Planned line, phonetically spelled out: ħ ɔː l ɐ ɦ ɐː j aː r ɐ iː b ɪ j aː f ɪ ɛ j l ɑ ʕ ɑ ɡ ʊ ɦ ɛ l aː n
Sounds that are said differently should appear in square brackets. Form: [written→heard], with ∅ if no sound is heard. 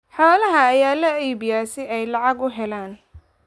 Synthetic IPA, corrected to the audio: ħ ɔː l ɐ ɦ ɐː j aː [r→l] ɐ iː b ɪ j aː [f→s] ɪ ɛ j l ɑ ʕ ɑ ɡ ʊ ɦ ɛ l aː n